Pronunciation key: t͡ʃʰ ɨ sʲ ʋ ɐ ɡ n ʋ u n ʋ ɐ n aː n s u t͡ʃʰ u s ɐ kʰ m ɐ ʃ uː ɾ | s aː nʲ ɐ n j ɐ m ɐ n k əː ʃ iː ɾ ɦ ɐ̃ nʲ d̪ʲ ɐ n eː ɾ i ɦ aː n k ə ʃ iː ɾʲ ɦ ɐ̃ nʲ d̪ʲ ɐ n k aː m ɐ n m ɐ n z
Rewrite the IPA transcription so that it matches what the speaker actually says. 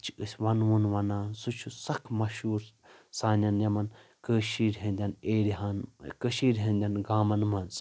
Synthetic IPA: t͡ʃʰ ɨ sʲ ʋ ɐ n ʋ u n ʋ ɐ n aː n s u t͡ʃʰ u s ɐ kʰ m ɐ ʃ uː ɾ | s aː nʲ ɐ n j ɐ m ɐ n k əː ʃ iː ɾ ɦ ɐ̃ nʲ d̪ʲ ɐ n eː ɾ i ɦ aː n k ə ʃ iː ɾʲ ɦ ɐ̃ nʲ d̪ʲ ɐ n ɡ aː m ɐ n m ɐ n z

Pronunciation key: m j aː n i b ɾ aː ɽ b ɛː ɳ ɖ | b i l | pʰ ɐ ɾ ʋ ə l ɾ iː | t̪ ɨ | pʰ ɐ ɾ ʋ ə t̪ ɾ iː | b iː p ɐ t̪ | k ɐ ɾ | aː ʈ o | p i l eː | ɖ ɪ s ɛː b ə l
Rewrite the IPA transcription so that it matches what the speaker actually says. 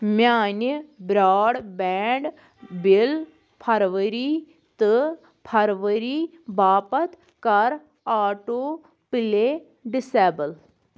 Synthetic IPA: m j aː n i b ɾ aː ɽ b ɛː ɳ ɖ | b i l | pʰ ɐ ɾ ʋ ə ɾ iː | t̪ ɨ | pʰ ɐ ɾ ʋ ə ɾ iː | b aː p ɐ t̪ | k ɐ ɾ | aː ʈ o | p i l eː | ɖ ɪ s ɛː b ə l

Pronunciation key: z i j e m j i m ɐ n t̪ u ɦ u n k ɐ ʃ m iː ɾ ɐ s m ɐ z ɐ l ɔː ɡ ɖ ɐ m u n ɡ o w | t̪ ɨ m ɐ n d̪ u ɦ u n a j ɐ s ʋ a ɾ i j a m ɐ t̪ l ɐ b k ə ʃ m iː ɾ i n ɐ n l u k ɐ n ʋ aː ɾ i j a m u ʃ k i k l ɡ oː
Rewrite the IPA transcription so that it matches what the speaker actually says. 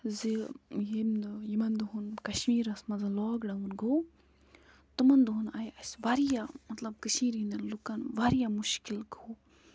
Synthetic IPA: z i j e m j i m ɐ n d̪ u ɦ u n k ɐ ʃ m iː ɾ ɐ s m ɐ z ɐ l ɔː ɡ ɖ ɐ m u n ɡ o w | t̪ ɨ m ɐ n d̪ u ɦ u n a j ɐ s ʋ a ɾ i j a m ɐ t̪ l ɐ b k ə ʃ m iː ɾ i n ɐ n l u k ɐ n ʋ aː ɾ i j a m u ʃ k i l ɡ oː

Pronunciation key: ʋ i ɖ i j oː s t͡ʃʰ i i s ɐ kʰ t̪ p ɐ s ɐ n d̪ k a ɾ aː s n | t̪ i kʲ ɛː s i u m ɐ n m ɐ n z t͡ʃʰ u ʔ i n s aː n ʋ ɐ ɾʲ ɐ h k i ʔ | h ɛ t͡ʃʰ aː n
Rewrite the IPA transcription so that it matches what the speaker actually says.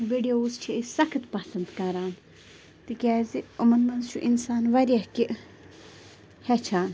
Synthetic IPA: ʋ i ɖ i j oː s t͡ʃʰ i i s ɐ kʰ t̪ p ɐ s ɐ n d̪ k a ɾ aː n | t̪ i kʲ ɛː z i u m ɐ n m ɐ n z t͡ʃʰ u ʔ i n s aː n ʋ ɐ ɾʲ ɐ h k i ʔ | h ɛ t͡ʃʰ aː n

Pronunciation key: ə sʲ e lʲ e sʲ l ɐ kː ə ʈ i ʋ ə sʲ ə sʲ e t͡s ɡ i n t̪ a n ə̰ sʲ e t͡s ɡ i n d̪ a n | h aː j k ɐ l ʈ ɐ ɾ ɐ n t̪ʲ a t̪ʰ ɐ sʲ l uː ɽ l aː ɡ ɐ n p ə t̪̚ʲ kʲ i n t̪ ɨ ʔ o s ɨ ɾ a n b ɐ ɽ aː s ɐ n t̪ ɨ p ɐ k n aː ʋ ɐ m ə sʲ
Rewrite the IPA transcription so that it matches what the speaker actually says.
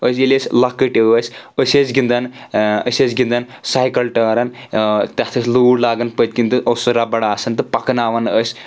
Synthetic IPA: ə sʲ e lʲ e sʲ l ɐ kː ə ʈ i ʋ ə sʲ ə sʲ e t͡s ɡ i n d̪ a n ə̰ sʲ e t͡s ɡ i n d̪ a n | s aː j k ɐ l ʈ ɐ ɾ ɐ n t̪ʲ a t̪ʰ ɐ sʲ l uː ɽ l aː ɡ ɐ n p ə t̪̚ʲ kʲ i n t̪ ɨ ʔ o s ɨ ɾ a b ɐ ɽ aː s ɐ n t̪ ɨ p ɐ k n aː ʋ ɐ n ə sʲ

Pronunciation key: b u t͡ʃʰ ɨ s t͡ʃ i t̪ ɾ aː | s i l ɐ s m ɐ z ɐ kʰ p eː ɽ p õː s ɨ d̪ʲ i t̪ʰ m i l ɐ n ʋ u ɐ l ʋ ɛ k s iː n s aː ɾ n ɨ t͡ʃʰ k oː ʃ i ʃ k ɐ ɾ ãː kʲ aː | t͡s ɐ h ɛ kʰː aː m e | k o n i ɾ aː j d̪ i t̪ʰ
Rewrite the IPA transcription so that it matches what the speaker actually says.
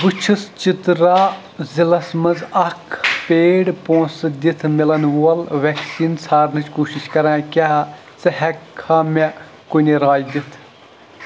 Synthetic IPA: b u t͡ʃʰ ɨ s t͡ʃ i t̪ ɾ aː | z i l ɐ s m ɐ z ɐ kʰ p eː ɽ p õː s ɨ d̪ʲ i t̪ʰ m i l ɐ n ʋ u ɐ l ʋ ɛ k s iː n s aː ɾ n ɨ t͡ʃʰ k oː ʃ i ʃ k ɐ ɾ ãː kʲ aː | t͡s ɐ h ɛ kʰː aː m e | k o n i ɾ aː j d̪ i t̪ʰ

